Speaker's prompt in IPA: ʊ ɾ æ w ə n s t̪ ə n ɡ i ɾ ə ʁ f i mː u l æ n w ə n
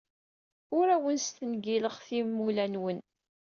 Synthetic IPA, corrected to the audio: ʊ ɾ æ w ə n s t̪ ə n ɡ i l ə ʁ θ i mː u l æ n w ə n